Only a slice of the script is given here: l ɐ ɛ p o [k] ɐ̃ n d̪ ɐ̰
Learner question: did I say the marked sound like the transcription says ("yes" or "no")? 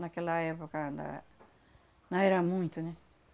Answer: yes